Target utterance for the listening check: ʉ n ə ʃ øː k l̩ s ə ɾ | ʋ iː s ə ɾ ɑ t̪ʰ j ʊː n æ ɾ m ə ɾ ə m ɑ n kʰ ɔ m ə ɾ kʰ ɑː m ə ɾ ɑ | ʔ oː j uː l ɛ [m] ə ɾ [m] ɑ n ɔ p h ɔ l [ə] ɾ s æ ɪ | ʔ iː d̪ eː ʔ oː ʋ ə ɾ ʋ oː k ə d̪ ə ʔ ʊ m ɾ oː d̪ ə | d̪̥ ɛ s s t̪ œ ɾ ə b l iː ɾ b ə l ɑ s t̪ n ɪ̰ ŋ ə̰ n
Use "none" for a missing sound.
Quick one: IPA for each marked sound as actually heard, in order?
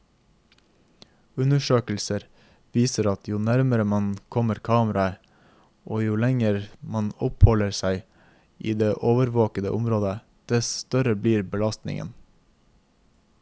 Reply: ŋ, m, ə

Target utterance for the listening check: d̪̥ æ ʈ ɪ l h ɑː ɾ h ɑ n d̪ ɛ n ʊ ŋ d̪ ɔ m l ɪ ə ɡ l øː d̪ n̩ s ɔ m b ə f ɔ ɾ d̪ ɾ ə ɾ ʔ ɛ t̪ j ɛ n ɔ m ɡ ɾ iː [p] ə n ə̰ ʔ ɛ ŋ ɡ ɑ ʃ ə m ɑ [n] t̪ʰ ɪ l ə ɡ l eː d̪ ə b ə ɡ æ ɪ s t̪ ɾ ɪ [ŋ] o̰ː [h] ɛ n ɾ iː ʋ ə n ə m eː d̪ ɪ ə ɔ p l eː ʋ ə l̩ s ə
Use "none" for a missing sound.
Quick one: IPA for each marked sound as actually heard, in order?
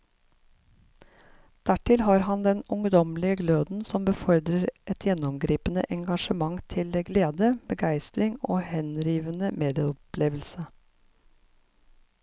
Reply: p, ŋ, ŋ, h

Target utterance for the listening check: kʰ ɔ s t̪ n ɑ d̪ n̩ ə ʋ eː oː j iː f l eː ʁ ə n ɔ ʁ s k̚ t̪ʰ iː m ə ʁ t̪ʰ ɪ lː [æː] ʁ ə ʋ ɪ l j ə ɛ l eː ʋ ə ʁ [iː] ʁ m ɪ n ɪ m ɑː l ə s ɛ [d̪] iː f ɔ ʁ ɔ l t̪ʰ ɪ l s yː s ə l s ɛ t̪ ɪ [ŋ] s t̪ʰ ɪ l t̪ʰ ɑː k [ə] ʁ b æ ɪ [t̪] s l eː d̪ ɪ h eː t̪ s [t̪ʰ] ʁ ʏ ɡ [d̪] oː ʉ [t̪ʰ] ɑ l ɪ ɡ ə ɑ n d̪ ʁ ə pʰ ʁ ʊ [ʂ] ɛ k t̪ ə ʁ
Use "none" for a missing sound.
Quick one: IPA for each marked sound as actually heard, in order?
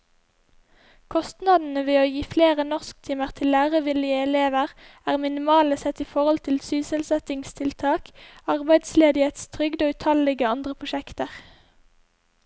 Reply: æː, æː, t̪, ŋ, ɑ, d̪, t̪ʰ, d̪, t̪ʰ, ʃ

